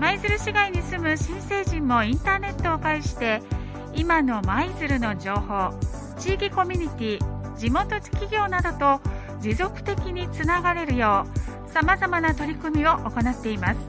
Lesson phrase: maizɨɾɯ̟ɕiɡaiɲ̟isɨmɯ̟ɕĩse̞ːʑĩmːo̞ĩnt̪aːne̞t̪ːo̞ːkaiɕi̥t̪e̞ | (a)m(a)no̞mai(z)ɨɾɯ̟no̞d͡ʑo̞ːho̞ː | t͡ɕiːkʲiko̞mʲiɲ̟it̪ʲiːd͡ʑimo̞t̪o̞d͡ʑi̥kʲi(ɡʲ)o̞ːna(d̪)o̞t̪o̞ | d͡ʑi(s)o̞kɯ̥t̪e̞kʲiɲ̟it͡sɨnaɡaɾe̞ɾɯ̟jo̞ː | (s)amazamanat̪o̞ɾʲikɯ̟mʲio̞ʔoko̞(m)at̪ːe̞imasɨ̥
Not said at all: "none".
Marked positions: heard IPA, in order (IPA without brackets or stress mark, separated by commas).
i, a, z, ɡʲ, d̪, z, s, n